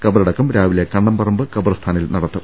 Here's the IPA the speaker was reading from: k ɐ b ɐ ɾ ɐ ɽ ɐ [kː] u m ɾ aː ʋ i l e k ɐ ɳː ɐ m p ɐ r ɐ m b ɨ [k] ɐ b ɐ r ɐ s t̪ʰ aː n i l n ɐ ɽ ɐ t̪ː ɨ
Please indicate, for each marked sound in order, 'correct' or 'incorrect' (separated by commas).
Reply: correct, correct